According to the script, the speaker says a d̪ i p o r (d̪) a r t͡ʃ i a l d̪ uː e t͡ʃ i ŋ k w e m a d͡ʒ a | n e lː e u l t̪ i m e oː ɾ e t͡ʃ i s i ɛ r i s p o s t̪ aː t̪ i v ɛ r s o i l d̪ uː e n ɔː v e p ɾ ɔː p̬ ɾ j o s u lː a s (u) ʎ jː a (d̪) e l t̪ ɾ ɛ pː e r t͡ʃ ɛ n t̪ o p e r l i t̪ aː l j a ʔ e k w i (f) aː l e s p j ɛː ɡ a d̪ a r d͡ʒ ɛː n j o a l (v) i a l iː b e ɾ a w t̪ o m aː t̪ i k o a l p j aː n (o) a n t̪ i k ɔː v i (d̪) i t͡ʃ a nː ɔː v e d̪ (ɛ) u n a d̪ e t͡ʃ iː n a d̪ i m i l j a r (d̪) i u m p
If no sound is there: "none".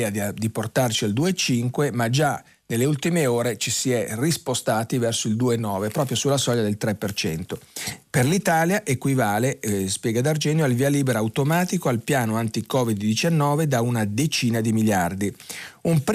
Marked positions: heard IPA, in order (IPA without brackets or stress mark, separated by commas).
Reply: t̪, ɔ, d̪, v, v, o, d̪ː, a, d̪